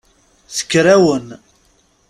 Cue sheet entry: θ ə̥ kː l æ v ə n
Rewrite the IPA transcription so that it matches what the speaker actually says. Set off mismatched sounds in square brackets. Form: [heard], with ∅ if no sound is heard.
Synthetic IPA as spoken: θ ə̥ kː [ɾ] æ [w] ə n